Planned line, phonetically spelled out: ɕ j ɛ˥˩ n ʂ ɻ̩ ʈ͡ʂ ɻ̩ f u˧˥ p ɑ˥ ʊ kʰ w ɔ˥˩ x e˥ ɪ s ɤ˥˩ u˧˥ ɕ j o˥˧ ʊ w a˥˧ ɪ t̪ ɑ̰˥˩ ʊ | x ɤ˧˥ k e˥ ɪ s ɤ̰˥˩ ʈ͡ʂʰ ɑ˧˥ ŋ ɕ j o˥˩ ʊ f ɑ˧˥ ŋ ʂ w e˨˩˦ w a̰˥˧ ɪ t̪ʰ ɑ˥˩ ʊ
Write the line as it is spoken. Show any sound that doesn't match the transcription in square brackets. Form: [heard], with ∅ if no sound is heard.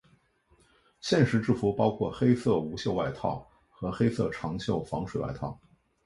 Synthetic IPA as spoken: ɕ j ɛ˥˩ n ʂ ɻ̩ ʈ͡ʂ ɻ̩ f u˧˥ p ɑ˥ ʊ kʰ w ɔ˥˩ x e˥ ɪ s ɤ˥˩ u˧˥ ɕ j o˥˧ ʊ w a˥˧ ɪ [t̪ʰ] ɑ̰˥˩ ʊ | x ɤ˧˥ [x] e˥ ɪ s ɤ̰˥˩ ʈ͡ʂʰ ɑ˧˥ ŋ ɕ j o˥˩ ʊ f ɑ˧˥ ŋ ʂ w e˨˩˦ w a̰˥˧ ɪ t̪ʰ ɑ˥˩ ʊ